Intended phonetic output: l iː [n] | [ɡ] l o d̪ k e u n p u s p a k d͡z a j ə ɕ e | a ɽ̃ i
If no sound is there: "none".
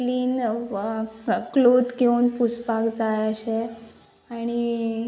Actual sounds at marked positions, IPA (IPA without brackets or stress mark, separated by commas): n, k